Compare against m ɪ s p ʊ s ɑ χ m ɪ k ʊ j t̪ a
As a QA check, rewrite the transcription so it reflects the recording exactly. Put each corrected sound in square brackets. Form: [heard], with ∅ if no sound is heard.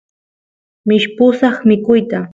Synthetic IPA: m ɪ [ʃ] p ʊ s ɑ χ m ɪ k ʊ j t̪ a

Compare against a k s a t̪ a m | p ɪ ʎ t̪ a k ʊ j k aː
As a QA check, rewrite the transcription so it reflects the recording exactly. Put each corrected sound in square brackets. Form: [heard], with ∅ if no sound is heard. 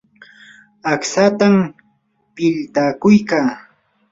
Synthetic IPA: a k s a t̪ a m | p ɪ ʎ t̪ a k ʊ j k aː

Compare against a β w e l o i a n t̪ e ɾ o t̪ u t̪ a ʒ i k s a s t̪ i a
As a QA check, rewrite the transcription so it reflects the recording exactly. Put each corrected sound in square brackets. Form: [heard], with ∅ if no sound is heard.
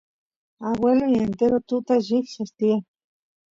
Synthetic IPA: a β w e l o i [e] n t̪ e ɾ o t̪ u t̪ a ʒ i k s a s t̪ i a

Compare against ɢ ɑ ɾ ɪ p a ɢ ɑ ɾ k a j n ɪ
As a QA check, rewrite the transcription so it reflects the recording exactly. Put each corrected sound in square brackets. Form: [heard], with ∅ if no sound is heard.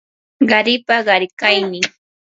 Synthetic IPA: ɢ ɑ ɾ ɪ p a ɢ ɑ ɾ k a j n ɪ

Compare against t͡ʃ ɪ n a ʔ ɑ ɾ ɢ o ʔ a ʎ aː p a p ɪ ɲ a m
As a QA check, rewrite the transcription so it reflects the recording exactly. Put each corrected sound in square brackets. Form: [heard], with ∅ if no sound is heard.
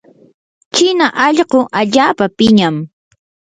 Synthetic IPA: t͡ʃ ɪ n a ʔ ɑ [ʎ] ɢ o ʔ a ʎ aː p a p ɪ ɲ a m

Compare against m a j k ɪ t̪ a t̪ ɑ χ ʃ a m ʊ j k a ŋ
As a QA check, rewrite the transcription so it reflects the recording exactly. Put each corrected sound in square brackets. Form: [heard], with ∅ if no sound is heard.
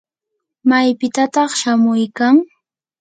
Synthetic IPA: m a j [p] ɪ t̪ a t̪ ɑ χ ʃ a m ʊ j k a ŋ

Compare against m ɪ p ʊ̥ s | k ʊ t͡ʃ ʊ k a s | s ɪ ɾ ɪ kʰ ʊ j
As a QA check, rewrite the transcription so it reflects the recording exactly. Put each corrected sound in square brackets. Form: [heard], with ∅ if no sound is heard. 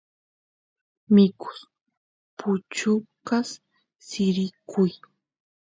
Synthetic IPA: m ɪ [k] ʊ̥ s | [p] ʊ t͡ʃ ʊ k a s | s ɪ ɾ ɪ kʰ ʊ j

